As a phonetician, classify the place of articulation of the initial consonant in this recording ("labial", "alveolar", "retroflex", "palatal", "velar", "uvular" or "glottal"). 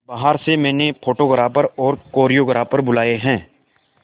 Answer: labial